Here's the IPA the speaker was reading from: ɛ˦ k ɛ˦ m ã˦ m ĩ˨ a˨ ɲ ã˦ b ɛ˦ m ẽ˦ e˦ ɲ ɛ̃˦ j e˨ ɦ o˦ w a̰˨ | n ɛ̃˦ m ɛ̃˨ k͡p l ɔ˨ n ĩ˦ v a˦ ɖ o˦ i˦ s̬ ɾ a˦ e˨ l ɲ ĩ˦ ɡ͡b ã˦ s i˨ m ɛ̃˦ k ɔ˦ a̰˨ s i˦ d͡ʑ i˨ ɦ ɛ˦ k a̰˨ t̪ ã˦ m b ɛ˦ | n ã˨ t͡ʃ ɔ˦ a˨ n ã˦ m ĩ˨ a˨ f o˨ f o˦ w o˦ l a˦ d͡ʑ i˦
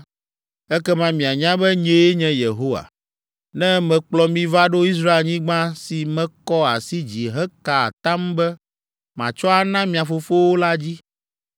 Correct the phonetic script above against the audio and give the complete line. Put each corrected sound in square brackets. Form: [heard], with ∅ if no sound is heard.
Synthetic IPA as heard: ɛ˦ k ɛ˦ m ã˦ m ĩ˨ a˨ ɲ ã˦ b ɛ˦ [ɲ] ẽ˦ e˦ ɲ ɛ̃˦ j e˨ ɦ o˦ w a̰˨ | n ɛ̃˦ m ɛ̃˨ k͡p l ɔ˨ [m] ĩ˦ v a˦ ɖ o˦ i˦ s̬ ɾ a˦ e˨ l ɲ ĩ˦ ɡ͡b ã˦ s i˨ m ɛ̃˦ k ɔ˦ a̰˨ s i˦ d͡ʑ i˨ ɦ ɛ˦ k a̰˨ t̪ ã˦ m b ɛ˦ | [m] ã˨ t͡ʃ ɔ˦ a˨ n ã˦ m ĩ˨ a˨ f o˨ f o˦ w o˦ l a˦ d͡ʑ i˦